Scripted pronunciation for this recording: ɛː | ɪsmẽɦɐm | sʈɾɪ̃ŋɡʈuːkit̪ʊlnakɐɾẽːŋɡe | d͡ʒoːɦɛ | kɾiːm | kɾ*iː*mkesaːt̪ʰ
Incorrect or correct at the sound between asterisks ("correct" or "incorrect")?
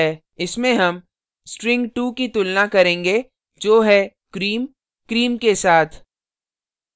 correct